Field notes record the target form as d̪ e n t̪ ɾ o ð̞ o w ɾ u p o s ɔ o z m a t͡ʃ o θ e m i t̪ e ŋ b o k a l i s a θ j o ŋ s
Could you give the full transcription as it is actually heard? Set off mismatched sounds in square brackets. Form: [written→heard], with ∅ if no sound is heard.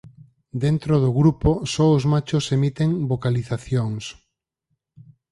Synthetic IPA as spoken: d̪ e n t̪ ɾ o ð̞ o [w→ɣ] ɾ u p o s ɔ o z m a t͡ʃ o [θ→s] e m i t̪ e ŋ b o k a l i [s→θ] a θ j o ŋ s